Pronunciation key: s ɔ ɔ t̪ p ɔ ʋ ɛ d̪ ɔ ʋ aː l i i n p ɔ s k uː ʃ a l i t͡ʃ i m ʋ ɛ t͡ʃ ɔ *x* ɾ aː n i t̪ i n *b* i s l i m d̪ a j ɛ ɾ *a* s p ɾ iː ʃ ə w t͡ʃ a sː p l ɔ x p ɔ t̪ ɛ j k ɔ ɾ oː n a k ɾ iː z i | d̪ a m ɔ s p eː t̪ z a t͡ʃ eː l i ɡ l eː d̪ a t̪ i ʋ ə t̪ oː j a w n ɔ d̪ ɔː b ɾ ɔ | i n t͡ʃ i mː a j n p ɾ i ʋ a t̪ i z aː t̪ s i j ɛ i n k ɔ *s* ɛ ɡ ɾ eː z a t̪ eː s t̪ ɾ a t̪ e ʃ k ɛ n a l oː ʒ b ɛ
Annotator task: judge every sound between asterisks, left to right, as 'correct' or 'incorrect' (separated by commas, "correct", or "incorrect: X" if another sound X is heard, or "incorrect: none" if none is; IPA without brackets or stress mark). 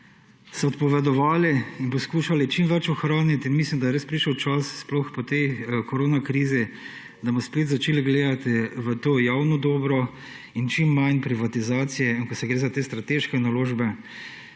correct, incorrect: m, incorrect: e, correct